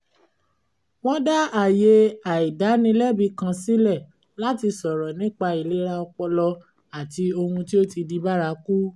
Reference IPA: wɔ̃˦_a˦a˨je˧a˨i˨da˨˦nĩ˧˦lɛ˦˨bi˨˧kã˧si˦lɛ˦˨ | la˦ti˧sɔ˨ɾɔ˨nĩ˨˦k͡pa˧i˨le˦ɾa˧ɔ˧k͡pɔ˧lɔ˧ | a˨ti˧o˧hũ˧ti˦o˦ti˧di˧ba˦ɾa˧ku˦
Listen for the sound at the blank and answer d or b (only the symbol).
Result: d